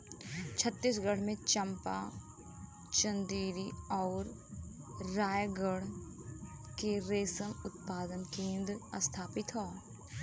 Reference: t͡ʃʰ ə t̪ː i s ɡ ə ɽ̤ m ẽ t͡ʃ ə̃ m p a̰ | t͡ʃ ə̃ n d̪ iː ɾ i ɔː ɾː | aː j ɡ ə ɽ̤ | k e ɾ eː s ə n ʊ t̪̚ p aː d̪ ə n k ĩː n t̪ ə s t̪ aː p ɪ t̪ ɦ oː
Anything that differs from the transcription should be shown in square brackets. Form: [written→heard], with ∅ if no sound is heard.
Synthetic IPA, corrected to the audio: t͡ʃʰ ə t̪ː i s ɡ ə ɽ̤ m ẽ t͡ʃ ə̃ m p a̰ | t͡ʃ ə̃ n d̪ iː ɾ i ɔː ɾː | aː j ɡ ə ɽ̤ | k e ɾ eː s ə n ʊ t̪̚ p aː d̪ ə n k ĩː n [t̪→d̪] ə s [t̪→t̪ʰ] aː p ɪ t̪ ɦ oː